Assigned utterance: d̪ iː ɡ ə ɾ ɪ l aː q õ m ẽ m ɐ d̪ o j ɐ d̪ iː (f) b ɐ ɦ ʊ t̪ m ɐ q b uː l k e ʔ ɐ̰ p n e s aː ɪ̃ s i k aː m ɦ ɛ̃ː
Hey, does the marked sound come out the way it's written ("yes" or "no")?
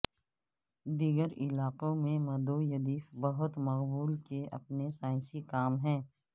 yes